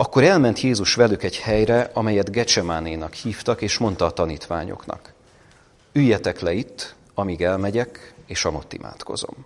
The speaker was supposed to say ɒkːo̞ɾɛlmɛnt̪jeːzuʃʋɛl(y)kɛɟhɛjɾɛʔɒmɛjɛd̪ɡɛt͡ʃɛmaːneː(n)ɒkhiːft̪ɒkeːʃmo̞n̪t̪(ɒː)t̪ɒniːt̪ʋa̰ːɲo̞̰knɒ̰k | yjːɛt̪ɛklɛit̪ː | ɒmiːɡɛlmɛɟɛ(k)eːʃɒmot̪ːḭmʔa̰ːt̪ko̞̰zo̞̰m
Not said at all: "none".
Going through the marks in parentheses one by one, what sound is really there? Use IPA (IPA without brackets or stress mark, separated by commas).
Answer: y, n, ɒː, k